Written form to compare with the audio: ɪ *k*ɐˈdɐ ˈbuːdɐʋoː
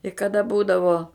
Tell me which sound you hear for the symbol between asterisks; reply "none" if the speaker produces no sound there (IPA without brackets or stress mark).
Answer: k